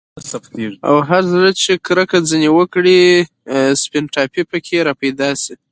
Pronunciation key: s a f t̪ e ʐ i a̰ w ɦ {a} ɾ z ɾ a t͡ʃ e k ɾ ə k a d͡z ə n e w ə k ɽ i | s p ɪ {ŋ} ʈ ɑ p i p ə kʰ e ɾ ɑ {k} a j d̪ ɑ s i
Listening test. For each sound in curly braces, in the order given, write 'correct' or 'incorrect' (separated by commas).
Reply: correct, incorrect, incorrect